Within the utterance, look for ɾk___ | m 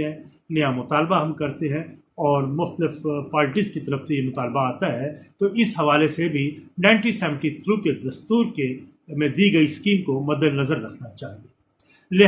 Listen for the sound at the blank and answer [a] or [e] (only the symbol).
e